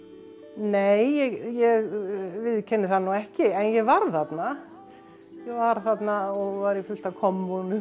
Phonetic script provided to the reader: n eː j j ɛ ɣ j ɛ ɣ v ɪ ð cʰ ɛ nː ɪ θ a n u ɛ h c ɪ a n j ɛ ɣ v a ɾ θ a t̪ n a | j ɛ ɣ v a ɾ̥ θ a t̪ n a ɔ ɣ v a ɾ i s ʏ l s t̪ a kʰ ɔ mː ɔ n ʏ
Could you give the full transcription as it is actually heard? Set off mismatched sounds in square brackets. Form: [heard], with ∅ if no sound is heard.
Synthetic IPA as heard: n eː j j ɛ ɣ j ɛ ɣ v ɪ ð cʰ ɛ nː ɪ θ a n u ɛ h c ɪ [ɛ] n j ɛ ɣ v a ɾ θ a t̪ n a | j ɛ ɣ v a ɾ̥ θ a t̪ n a ɔ ɣ v a ɾ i [f] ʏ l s t̪ a kʰ ɔ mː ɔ n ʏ